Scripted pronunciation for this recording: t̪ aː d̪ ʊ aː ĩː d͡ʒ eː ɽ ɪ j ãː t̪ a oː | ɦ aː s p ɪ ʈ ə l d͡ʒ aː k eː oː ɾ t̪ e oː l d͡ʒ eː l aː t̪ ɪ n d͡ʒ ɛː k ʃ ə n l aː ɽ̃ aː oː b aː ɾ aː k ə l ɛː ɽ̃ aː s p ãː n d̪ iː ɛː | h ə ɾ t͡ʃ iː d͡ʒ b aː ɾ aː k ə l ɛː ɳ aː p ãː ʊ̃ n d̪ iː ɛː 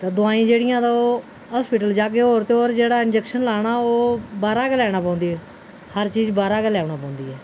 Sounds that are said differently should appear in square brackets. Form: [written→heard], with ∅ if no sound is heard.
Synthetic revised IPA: t̪ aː d̪ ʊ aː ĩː d͡ʒ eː ɽ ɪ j ãː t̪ a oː | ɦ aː s p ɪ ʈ ə l d͡ʒ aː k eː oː ɾ t̪ e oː [l→ɾ] d͡ʒ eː [l→ɽ] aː [t̪→∅] ɪ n d͡ʒ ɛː k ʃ ə n l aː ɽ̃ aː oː b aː ɾ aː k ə l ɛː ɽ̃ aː [s→∅] p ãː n d̪ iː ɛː | h ə ɾ t͡ʃ iː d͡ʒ b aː ɾ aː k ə l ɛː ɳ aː p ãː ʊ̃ n d̪ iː ɛː